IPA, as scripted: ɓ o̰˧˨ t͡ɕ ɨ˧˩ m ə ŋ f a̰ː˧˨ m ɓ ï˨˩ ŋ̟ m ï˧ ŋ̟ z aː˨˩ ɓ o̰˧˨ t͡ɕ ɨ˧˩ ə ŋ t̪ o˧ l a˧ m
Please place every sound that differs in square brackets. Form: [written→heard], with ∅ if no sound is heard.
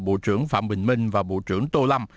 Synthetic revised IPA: ɓ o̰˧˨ t͡ɕ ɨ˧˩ [m→∅] ə ŋ f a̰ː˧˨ m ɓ ï˨˩ ŋ̟ m ï˧ ŋ̟ [z→v] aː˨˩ ɓ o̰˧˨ t͡ɕ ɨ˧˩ ə ŋ t̪ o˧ l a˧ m